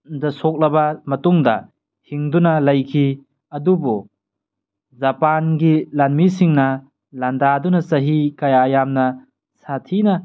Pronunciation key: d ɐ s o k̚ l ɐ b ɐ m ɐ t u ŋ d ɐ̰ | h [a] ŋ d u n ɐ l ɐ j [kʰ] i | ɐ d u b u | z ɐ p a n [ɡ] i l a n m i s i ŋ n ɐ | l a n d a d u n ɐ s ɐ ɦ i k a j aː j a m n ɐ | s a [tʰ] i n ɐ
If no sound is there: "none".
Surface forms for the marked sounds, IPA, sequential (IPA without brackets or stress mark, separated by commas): i, kʰ, ɡ, tʰ